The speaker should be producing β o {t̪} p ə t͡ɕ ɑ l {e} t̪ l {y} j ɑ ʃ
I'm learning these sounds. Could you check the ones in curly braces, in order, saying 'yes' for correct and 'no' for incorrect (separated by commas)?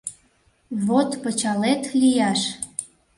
yes, yes, no